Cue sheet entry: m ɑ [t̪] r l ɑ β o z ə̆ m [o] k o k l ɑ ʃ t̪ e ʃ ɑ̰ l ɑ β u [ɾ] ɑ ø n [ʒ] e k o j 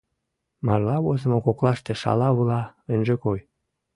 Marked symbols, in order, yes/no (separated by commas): no, yes, no, yes